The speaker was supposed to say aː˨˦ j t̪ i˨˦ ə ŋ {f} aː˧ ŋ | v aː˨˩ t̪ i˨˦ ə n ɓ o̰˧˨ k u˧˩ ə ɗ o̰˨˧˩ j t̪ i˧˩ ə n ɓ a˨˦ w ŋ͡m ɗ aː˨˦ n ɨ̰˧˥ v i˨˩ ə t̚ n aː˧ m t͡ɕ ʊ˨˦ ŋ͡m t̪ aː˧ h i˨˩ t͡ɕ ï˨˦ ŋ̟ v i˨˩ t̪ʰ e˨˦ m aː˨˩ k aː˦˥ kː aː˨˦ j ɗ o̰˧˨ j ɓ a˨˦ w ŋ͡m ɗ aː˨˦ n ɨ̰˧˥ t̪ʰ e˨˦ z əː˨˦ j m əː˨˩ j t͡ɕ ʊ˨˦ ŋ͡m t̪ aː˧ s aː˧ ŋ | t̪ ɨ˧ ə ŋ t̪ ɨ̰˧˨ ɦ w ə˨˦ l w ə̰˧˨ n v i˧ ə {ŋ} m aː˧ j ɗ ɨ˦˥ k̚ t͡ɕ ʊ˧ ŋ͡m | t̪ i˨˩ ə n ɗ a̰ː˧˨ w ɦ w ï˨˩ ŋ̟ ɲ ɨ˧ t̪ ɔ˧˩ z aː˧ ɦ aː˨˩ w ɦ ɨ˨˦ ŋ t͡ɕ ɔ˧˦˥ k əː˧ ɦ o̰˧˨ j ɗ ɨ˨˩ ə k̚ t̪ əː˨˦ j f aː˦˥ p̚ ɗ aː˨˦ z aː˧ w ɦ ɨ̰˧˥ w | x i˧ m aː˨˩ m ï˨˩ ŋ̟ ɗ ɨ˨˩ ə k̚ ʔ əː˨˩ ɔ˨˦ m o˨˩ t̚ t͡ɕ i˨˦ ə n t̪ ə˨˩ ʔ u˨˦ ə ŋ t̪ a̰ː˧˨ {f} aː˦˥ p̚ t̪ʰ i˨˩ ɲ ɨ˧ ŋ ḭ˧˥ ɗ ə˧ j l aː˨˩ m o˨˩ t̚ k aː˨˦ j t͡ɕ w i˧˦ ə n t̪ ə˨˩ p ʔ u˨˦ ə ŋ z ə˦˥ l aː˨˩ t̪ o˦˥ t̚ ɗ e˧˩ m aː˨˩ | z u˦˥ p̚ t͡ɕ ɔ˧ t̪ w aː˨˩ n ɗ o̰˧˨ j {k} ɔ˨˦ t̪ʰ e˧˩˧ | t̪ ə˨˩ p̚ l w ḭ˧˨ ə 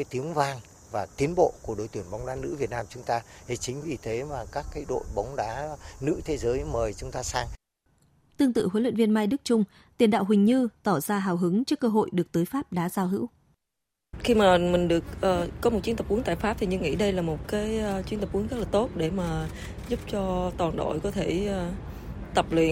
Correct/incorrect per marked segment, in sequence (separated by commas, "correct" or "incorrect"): incorrect, incorrect, correct, correct